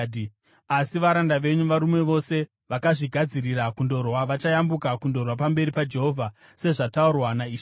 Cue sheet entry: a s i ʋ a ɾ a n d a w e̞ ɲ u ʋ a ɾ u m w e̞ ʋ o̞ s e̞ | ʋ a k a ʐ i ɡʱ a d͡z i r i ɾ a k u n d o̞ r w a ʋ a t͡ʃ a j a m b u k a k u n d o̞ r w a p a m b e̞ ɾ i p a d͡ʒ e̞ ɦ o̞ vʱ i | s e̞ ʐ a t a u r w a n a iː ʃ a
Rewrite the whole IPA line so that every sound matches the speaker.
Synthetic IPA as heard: a s i ʋ a ɾ a n d a ʋ e̞ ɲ u ʋ a ɾ u m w e̞ ʋ o̞ s e̞ | ʋ a k a ʐ i ɡʱ a d͡z i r i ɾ a k u n d o̞ r w a ʋ a t͡ʃ a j a m b u k a k u n d o̞ r w a p a m b e̞ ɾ i p a d͡ʒ e̞ ɦ o̞ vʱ a | s e̞ ʐ a t a u r w a n a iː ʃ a